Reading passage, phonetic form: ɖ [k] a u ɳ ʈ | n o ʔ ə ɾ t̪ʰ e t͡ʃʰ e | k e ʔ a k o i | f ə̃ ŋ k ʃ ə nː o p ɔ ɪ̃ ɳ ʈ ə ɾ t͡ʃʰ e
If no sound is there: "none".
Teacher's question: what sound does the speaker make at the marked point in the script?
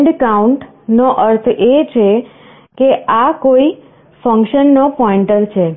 k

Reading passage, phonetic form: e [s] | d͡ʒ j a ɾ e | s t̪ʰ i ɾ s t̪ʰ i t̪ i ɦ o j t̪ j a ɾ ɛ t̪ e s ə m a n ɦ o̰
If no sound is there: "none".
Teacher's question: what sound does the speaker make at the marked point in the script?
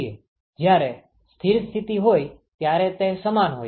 none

